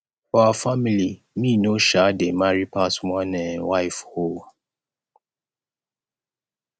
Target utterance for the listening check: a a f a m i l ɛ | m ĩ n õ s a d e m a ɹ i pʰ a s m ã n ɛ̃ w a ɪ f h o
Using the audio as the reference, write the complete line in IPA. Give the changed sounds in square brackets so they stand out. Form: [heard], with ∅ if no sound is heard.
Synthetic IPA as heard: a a f a m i l [i] | m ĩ n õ [ʃ] a d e m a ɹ i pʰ a s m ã n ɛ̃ w a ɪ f h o